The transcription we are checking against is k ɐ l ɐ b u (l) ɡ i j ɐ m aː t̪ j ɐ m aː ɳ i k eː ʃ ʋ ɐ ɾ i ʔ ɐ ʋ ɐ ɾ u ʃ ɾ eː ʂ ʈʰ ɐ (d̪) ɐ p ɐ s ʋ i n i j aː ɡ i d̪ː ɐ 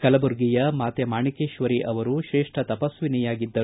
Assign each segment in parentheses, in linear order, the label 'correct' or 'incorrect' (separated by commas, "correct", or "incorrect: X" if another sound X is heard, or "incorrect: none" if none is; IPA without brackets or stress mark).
incorrect: ɾ, incorrect: t̪